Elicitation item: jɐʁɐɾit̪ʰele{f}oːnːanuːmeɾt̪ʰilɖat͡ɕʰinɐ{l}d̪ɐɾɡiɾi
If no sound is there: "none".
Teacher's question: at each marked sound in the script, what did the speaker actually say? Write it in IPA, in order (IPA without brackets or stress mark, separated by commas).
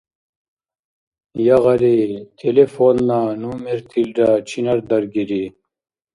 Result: f, ɾ